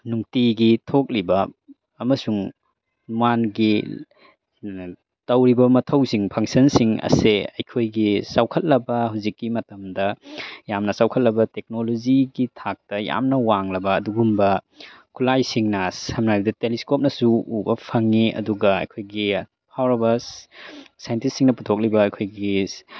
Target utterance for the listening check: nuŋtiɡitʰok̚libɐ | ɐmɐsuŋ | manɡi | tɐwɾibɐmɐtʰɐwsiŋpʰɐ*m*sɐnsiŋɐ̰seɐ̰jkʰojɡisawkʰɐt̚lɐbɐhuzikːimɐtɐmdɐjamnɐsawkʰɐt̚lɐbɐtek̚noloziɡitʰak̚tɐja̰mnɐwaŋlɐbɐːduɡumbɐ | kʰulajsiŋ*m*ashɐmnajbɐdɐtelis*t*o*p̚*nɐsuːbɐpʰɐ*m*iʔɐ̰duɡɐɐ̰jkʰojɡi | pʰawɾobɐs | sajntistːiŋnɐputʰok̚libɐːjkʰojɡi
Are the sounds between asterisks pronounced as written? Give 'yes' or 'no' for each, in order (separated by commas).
no, no, no, yes, no